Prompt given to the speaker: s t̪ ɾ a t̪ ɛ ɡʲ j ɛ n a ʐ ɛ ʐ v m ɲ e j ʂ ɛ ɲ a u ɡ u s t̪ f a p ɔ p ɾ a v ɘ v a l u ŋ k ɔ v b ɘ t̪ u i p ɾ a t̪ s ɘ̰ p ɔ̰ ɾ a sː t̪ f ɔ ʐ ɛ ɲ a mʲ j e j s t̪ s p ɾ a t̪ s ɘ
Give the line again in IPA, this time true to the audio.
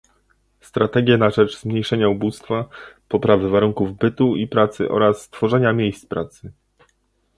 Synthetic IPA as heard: s t̪ ɾ a t̪ ɛ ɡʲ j ɛ n a ʐ ɛ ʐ z m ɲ e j ʂ ɛ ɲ a u b u s t̪ f a p ɔ p ɾ a v ɘ v a ɾ u ŋ k u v b ɘ t̪ u i p ɾ a t̪ s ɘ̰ ʔ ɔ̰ ɾ a sː t̪ f ɔ ʐ ɛ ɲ a mʲ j e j s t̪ s p ɾ a t̪ s ɘ